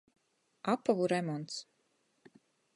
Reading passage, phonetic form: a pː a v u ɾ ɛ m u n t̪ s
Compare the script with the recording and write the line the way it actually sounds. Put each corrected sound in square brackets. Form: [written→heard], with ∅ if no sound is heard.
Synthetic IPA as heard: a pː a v u ɾ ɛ m [u→ɔ] n t̪ s